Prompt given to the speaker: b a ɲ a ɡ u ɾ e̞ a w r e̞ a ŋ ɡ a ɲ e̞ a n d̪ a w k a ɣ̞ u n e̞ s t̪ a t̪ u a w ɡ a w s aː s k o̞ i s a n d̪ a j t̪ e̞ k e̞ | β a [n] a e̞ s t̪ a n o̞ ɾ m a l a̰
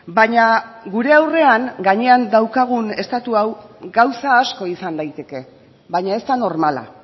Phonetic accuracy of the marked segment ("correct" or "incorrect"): incorrect